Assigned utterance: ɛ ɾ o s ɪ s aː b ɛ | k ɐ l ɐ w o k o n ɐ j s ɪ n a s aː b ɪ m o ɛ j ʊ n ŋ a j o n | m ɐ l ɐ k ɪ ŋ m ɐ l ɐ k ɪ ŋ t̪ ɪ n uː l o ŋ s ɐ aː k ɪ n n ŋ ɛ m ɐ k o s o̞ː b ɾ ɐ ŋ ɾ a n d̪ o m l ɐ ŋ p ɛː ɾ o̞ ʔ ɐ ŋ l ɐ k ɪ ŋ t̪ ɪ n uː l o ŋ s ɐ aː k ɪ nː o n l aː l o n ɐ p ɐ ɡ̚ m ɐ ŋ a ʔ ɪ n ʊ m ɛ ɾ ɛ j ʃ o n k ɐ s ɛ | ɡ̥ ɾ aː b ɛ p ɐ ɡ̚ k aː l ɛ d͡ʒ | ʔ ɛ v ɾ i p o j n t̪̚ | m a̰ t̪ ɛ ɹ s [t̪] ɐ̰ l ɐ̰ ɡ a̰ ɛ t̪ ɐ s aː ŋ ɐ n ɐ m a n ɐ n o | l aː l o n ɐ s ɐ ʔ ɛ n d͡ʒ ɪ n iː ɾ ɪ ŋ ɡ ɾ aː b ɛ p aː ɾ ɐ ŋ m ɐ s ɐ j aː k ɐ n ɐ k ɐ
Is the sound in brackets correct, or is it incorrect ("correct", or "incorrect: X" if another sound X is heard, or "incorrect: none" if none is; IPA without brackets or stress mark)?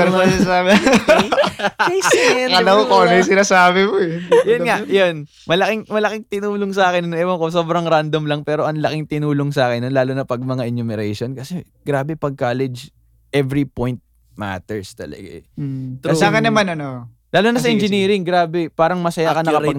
correct